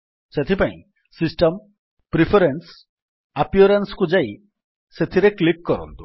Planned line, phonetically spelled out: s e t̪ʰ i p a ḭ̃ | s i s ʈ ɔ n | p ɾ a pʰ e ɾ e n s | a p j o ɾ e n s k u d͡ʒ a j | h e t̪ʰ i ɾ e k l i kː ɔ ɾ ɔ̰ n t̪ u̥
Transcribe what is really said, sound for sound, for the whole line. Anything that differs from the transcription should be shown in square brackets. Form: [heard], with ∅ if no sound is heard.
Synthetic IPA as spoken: s e t̪ʰ i p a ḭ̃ | s i s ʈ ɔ [m] | p ɾ [i] pʰ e ɾ e n s | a p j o ɾ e n s k u d͡ʒ a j | [s] e t̪ʰ i ɾ e k l i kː ɔ ɾ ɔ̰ n t̪ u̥